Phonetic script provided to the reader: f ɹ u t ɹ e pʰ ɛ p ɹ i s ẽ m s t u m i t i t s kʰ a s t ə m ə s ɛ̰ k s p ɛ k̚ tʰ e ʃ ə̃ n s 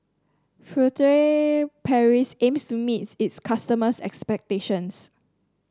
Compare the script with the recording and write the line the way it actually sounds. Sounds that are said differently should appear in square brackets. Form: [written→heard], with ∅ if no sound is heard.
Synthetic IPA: f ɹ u t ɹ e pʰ ɛ [p→∅] ɹ i s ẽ m s t u m i t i t s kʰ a s t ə m ə s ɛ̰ k s p ɛ k̚ [tʰ→t] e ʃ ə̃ n s